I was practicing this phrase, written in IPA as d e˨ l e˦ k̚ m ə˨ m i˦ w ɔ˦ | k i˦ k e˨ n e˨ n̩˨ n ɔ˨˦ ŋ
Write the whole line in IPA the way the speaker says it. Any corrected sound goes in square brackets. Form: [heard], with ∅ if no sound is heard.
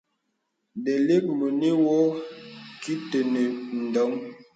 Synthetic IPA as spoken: d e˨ l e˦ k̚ m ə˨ [n] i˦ w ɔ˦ | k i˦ [t] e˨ n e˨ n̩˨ [d] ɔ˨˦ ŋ